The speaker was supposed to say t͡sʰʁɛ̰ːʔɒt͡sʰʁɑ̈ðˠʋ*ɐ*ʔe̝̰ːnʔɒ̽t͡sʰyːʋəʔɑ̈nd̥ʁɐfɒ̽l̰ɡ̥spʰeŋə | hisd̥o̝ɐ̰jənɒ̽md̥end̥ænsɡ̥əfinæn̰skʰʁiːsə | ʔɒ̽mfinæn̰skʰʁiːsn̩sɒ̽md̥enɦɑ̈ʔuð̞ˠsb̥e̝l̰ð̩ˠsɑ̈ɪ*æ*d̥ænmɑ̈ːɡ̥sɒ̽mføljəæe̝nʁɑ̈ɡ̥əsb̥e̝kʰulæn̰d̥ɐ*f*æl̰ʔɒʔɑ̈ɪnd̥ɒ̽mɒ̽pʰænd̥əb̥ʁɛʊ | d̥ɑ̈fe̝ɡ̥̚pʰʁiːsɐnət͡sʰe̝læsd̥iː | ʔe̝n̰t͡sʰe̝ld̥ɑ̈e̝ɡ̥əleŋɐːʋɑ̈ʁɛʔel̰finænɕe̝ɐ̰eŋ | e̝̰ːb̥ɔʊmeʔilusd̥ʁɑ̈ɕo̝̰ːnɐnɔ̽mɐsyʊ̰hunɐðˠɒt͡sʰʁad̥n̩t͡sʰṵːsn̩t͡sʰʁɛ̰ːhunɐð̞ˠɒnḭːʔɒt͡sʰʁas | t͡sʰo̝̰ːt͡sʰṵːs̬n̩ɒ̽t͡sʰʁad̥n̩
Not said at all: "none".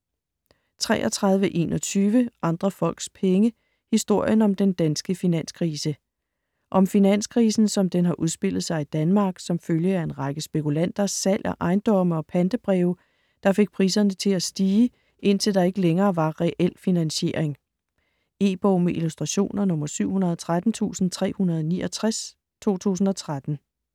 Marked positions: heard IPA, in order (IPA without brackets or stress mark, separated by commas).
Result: ə, i, s